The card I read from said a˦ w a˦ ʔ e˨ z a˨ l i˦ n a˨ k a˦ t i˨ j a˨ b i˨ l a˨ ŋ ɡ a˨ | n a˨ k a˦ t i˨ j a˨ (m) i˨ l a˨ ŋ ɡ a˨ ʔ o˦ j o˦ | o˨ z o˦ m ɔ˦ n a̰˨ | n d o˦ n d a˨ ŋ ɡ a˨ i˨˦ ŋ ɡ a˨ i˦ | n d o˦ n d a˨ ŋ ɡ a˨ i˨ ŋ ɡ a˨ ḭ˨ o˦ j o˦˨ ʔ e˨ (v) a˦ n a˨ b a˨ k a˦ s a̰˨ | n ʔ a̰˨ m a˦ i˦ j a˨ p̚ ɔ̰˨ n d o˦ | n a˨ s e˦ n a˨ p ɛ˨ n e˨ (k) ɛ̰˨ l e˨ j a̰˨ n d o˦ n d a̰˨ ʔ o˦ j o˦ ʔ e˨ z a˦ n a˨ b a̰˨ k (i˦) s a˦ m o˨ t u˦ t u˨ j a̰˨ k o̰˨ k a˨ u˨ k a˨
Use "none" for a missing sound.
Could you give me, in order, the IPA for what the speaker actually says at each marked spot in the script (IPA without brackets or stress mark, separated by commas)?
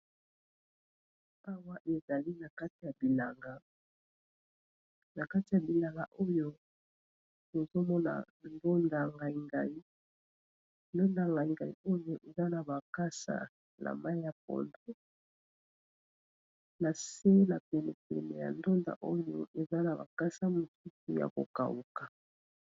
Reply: b, z, p, a˦